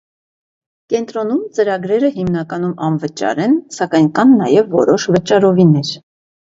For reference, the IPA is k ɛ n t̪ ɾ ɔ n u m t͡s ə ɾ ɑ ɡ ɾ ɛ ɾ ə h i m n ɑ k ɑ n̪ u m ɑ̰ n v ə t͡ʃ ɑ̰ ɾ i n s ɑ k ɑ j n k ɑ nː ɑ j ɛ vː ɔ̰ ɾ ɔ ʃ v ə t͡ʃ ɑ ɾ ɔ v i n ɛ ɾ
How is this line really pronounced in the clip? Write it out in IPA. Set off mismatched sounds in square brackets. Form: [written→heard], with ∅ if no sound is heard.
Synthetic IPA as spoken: k ɛ n t̪ ɾ ɔ n u m t͡s ə ɾ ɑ ɡ ɾ ɛ ɾ ə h i m n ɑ k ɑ n̪ u m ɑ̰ n v ə t͡ʃ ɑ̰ ɾ [i→ɛ] n s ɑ k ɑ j n k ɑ nː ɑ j ɛ vː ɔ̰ ɾ ɔ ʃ v ə t͡ʃ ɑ ɾ ɔ v i n ɛ ɾ